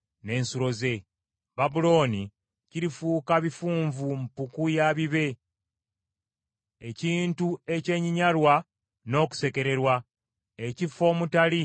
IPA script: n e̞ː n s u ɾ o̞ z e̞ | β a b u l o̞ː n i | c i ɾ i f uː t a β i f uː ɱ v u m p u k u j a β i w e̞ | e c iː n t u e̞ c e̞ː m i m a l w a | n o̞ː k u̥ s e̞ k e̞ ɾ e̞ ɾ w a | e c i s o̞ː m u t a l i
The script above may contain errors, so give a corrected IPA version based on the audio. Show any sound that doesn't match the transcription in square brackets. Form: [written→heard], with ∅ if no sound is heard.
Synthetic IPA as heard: n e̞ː n s u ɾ o̞ z e̞ | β a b u l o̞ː n i | c i ɾ i f uː [t→k] a β i f uː ɱ v u m p u k u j a β i [w→β] e̞ | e c iː n t u e̞ c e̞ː [m→ɲ] i [m→ɲ] a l w a | n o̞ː k u̥ s e̞ k e̞ ɾ e̞ ɾ w a | e c i [s→f] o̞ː m u t a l i